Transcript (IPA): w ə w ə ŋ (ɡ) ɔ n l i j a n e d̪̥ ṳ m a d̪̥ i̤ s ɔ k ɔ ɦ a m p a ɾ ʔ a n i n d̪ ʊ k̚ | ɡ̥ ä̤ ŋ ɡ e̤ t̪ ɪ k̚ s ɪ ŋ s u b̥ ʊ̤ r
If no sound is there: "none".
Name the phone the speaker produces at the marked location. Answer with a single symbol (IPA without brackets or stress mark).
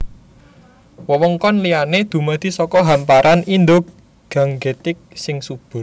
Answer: k